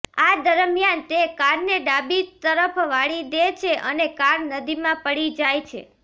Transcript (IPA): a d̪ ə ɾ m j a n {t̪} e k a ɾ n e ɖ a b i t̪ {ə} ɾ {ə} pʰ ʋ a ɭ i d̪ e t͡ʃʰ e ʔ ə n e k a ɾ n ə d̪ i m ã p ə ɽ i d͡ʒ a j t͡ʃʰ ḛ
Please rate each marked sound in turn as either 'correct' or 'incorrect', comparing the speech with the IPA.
correct, correct, correct

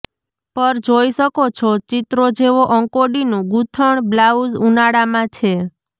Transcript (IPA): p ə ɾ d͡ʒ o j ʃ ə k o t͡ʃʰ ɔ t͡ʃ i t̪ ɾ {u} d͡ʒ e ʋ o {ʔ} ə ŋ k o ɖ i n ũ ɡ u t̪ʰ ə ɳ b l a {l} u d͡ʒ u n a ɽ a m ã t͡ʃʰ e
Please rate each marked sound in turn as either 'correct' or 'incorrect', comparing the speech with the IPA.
incorrect: o, correct, incorrect: none

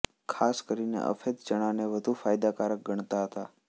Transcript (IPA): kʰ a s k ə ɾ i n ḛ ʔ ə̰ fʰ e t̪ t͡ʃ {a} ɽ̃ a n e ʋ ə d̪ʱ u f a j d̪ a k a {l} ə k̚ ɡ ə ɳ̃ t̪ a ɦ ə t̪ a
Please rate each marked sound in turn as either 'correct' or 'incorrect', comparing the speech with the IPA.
incorrect: ə, incorrect: ɾ

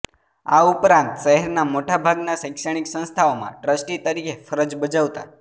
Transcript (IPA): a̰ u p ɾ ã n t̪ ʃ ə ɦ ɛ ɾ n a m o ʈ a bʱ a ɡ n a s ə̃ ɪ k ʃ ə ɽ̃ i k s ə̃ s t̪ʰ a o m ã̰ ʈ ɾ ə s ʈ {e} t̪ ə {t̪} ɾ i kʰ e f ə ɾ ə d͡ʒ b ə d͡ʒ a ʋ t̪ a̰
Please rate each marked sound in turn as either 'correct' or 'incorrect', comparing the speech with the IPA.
incorrect: i, incorrect: none

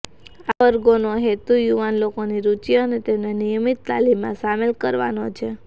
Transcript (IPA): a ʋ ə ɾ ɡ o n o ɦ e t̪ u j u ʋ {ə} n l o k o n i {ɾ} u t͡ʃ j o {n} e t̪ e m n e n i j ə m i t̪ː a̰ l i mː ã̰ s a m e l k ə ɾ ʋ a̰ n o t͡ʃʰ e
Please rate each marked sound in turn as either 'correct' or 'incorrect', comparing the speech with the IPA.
incorrect: a, correct, correct

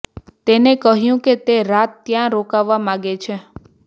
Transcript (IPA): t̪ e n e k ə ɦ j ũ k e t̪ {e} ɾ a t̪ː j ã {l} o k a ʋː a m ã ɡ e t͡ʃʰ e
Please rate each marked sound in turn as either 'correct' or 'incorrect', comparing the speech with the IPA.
correct, incorrect: ɾ

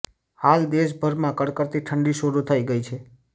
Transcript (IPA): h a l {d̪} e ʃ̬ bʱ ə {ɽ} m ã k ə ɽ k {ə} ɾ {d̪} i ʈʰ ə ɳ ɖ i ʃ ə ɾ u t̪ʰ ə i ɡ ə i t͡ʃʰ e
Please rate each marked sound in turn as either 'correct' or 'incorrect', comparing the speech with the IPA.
correct, incorrect: ɾ, correct, incorrect: t̪

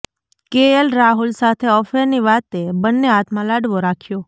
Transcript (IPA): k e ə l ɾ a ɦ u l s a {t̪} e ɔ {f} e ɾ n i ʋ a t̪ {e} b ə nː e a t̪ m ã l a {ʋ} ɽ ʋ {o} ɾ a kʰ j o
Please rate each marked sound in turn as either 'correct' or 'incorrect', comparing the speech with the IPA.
incorrect: t̪ʰ, correct, correct, incorrect: none, correct

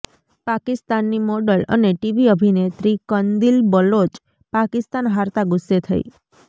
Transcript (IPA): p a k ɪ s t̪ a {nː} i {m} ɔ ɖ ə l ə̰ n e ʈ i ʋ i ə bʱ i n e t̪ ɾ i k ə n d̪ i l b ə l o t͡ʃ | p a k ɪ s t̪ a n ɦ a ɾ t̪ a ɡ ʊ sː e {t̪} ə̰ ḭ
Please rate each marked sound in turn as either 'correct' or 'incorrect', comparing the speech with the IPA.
correct, correct, incorrect: t̪ʰ

